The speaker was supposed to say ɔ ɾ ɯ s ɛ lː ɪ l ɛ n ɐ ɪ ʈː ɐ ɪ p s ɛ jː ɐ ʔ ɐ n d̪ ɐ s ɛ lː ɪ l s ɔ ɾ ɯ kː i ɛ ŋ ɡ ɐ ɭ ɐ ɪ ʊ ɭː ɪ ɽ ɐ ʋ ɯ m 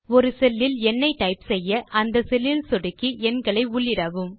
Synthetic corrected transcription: ɔ ɾ ɯ s ɛ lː ɪ l ɛ nː ɐ ɪ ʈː ɐ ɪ p s ɛ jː ɐ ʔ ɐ n d̪ ɐ s ɛ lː ɪ l s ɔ ɽ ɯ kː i ɛ n ɡ ɐ ɭ ɐ ɪ ʊ ɭː ɪ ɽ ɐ ʋ ɯ m